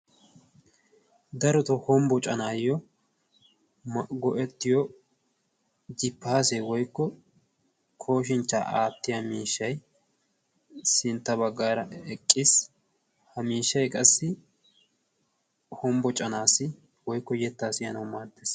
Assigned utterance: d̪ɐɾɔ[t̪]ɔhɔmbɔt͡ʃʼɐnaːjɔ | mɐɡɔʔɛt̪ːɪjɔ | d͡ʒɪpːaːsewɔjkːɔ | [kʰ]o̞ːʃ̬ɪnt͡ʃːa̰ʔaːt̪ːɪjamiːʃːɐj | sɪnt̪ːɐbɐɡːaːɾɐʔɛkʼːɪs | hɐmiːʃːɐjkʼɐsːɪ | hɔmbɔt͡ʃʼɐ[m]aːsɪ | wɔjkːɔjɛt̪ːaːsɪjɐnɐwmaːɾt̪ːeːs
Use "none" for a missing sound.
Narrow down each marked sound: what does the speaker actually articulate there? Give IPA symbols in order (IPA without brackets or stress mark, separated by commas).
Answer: t̪, kʰ, n